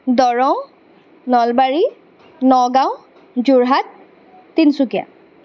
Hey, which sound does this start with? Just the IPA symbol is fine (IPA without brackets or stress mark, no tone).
d